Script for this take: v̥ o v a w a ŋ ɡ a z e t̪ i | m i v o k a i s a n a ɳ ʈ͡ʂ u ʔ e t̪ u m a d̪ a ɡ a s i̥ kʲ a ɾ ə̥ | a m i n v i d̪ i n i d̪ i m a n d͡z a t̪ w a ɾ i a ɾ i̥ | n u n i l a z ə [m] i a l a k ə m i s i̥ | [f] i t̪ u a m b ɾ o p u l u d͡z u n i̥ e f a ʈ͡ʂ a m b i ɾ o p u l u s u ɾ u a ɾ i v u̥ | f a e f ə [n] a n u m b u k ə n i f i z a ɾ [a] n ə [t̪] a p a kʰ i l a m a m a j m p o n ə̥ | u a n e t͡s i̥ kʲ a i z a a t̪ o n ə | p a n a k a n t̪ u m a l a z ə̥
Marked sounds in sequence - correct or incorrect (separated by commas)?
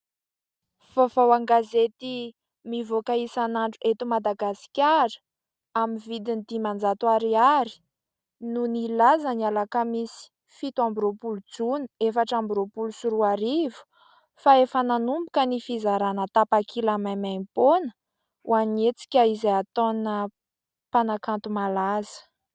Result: incorrect, correct, correct, correct, correct